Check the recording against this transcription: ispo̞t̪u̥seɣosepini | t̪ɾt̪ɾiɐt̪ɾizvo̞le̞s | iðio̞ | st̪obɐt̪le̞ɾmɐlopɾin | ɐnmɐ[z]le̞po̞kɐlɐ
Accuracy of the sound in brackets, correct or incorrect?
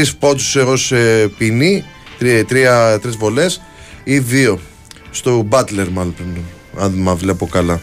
incorrect